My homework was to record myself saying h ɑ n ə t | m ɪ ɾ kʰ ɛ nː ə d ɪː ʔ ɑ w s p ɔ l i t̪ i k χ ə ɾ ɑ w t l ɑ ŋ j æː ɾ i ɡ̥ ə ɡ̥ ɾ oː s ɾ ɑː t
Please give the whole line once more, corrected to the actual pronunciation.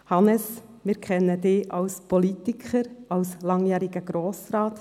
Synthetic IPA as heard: h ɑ n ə s | m ɪ ɾ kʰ ɛ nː ə d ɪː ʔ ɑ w s p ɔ l i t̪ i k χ ə ɾ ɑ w s l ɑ ŋ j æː ɾ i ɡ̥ ə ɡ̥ ɾ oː s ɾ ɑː t